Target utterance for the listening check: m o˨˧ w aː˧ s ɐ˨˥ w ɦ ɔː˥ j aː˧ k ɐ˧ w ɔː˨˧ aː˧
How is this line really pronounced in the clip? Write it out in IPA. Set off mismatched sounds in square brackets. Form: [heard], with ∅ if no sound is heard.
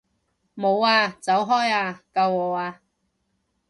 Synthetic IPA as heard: m o˨˧ w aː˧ [t͡s] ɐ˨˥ w ɦ ɔː˥ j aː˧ k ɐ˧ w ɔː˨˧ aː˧